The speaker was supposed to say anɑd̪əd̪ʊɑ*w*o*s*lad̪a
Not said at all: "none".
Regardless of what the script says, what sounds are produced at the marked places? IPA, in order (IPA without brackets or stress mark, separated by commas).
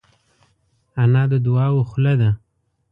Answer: w, x